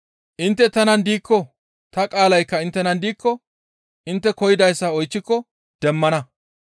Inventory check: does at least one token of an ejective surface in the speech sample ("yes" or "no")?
yes